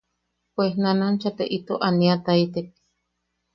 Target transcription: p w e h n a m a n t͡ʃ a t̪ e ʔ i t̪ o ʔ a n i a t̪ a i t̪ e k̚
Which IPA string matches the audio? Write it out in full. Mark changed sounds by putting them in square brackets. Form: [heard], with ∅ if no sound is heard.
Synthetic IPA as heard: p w e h n a [n] a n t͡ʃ a t̪ e ʔ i t̪ o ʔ a n i a t̪ a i t̪ e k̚